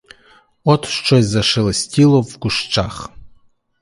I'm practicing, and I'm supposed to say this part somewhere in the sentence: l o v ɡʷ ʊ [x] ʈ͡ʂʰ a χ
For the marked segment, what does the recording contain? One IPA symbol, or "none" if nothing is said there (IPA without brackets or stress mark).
ʂ